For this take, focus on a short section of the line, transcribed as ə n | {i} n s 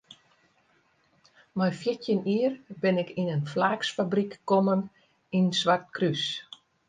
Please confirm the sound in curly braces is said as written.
yes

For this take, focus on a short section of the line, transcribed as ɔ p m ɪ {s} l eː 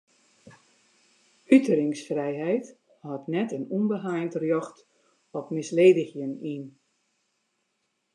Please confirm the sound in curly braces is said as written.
yes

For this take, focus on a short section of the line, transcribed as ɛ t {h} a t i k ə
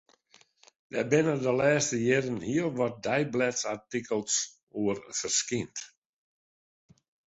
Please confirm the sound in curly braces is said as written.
no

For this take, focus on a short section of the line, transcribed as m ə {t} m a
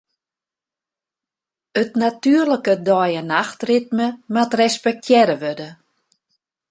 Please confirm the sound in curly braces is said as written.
no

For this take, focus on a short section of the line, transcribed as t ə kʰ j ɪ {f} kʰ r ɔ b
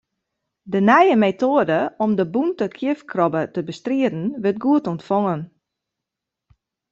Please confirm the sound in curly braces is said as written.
yes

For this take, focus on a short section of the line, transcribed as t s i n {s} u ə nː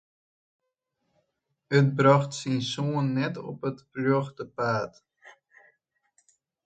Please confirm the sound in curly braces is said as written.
yes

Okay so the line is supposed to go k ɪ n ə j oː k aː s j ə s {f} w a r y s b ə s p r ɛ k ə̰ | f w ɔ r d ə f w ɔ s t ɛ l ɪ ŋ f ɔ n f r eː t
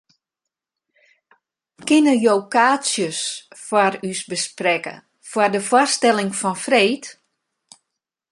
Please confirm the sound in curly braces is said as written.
yes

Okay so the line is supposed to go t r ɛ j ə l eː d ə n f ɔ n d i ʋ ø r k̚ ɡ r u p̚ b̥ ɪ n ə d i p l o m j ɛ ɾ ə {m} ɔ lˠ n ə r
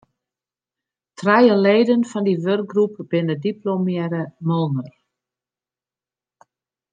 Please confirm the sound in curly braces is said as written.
yes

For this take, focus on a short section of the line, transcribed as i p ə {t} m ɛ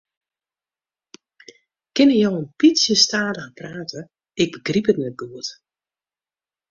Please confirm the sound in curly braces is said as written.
yes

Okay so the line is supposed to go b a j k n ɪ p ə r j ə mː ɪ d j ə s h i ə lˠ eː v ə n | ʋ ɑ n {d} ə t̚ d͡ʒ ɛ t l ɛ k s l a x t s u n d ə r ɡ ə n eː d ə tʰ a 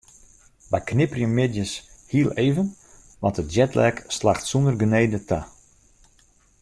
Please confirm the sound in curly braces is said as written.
no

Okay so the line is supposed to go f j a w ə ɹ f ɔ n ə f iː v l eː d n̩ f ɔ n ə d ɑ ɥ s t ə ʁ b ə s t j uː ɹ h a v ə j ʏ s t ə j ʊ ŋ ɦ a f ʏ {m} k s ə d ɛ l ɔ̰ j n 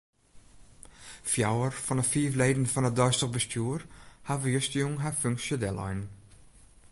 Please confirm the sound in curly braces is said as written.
no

